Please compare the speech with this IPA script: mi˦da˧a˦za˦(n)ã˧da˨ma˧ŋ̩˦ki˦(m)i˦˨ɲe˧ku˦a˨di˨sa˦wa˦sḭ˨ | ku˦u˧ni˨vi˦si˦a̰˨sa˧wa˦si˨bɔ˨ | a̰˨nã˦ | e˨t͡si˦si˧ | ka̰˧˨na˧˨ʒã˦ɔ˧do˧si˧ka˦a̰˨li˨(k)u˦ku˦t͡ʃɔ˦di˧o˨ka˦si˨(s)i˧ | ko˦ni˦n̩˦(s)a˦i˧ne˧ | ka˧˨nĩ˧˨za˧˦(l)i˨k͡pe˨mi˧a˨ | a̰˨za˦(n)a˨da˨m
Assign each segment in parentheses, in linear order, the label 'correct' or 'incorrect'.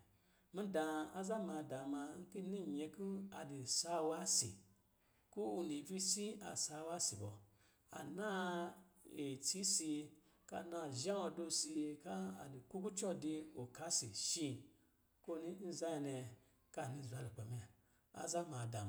incorrect: m, incorrect: n, correct, incorrect: ʃ, incorrect: z, correct, incorrect: m

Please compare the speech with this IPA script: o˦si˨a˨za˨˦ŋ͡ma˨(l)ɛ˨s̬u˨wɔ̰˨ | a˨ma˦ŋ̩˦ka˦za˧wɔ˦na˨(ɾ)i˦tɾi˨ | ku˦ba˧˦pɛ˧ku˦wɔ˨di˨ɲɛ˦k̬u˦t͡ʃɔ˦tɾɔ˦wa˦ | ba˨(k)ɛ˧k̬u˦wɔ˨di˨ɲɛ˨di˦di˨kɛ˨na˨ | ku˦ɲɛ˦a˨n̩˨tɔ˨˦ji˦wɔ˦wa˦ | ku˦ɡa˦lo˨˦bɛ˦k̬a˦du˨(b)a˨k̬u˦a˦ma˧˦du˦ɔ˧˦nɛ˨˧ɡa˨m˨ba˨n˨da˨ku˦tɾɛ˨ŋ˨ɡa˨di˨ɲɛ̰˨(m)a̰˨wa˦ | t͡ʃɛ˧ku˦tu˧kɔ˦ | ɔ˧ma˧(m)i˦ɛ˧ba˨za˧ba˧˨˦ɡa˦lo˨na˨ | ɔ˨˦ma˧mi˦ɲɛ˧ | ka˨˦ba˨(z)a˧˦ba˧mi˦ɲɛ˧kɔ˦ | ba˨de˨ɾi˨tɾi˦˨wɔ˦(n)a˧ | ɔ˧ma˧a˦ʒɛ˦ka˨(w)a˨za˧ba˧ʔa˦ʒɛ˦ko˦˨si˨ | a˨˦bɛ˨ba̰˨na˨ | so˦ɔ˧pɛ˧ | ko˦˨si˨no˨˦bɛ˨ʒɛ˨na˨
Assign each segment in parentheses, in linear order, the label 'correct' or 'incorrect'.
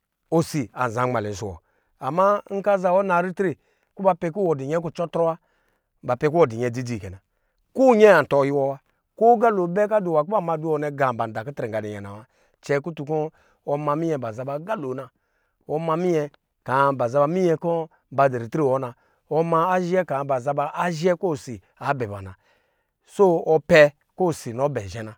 correct, correct, incorrect: p, incorrect: w, incorrect: n, correct, correct, correct, incorrect: b

